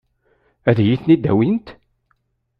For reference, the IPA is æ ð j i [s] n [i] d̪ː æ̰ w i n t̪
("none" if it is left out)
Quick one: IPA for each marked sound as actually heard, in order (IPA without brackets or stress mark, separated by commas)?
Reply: θ, i